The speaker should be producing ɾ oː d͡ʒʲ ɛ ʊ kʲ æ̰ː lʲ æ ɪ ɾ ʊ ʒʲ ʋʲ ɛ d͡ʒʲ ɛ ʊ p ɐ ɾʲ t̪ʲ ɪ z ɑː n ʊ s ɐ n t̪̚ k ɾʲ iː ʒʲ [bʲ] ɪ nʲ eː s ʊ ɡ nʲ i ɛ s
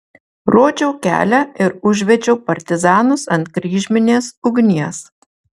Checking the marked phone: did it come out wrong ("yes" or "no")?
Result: yes